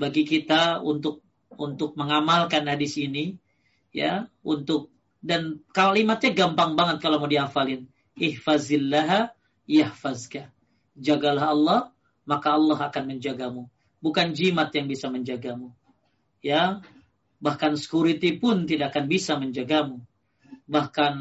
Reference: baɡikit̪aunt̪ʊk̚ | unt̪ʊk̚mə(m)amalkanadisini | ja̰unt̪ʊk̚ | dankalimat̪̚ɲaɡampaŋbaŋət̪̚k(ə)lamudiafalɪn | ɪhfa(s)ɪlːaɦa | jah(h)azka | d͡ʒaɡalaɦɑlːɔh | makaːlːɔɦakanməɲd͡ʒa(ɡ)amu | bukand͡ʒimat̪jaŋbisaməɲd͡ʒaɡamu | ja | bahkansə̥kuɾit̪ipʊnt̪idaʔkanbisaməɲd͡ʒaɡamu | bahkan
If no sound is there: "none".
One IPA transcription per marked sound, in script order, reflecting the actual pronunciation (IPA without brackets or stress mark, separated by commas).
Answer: ŋ, a, z, f, ɡ